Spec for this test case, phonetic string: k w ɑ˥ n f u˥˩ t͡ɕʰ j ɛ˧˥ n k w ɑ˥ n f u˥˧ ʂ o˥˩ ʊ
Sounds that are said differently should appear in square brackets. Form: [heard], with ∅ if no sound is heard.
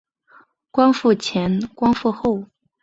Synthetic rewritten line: k w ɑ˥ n f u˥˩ t͡ɕʰ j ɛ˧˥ n k w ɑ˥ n f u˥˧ [x] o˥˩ ʊ